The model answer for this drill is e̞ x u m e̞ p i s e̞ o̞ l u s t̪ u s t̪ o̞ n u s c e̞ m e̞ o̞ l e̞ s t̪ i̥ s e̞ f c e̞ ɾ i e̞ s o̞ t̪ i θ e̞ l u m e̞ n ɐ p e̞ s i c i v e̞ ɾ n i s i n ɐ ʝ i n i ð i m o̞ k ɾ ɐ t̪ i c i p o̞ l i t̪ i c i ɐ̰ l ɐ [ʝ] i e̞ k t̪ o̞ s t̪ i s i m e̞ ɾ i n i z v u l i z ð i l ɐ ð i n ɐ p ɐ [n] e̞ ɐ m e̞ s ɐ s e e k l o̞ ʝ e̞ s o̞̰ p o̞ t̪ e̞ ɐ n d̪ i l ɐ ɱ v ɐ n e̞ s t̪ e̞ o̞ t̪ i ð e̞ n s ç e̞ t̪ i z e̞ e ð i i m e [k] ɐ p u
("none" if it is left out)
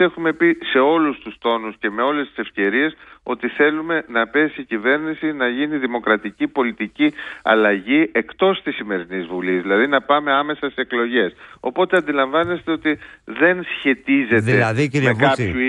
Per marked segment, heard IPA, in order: ʝ, m, k

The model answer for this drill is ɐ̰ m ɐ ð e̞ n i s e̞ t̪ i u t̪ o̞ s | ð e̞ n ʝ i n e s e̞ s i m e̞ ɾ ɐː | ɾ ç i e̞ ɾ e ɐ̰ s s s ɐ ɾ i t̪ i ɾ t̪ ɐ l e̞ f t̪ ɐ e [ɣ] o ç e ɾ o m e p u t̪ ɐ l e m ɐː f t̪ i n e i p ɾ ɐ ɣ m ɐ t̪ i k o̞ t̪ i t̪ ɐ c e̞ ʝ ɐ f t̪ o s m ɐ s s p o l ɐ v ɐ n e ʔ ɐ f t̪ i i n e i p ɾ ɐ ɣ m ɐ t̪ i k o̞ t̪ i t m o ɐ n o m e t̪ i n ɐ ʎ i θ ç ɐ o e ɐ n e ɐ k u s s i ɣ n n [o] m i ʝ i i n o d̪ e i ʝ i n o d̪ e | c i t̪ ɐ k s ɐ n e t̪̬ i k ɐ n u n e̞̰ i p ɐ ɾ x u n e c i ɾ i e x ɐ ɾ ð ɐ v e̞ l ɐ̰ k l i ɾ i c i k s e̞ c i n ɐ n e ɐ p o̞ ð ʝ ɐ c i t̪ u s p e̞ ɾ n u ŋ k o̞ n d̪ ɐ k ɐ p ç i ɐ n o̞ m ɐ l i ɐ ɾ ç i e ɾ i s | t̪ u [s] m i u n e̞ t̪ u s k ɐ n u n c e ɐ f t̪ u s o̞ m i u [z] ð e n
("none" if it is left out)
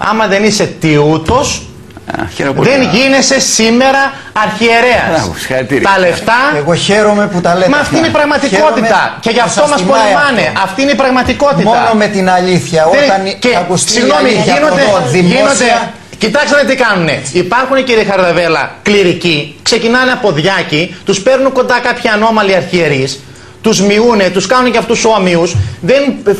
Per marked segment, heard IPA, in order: ɣ, o, z, s

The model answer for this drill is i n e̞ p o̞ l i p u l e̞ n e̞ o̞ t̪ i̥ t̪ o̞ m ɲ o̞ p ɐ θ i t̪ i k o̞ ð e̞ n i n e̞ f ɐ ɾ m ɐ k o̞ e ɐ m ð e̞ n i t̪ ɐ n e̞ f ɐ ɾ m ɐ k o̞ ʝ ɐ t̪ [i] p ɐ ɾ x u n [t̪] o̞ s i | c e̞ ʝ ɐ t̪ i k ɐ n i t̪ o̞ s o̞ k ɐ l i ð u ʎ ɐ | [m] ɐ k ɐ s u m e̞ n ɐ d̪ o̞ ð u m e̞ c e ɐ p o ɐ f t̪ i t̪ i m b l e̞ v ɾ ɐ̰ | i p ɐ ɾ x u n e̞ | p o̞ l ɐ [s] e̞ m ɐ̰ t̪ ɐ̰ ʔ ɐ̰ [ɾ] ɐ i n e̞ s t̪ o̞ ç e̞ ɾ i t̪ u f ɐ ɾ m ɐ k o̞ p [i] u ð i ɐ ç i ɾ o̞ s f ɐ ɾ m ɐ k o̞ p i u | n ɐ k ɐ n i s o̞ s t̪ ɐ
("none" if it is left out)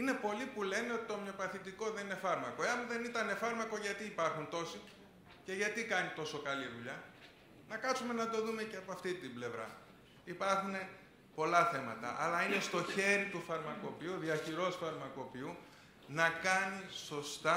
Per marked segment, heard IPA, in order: iː, t̪, n, θ, l, i

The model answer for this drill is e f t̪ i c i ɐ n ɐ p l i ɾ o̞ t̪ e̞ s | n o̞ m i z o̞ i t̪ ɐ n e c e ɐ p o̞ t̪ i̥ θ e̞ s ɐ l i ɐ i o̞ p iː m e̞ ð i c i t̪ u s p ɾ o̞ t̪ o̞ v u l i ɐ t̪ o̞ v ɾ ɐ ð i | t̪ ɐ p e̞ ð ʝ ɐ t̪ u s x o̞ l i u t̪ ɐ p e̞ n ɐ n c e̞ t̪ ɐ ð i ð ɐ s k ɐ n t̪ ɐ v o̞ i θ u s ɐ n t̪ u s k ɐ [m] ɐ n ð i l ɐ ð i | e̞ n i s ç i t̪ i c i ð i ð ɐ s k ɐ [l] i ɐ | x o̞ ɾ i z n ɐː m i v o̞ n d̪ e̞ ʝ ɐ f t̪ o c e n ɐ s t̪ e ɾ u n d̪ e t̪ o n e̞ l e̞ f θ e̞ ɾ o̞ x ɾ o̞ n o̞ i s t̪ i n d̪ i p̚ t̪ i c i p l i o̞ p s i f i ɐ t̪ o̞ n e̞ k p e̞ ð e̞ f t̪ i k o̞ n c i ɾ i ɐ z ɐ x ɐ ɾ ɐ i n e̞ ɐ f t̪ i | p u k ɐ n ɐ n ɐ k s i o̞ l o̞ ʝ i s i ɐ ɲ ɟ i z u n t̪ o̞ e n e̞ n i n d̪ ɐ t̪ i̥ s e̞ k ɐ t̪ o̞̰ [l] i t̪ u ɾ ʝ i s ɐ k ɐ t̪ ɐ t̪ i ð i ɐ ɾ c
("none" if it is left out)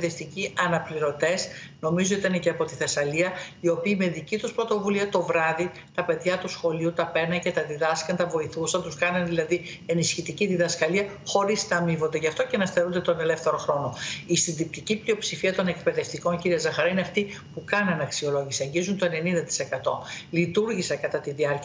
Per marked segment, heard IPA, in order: n, l, l

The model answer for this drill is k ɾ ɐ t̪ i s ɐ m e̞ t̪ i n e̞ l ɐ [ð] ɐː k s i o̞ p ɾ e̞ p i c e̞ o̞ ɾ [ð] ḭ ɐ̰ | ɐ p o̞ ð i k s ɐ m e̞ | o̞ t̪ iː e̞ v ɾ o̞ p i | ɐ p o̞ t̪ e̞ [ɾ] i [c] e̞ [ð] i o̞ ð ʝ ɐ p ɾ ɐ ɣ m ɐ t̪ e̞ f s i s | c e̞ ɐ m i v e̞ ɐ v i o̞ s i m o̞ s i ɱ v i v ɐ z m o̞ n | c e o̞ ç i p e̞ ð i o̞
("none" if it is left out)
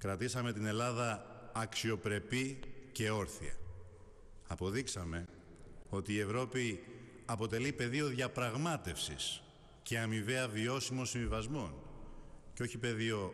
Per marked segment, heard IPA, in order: ð, θ, l, p, ð

